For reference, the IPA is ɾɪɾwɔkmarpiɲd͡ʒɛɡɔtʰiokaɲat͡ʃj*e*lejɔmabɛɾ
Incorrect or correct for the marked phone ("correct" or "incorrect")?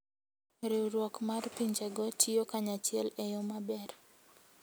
incorrect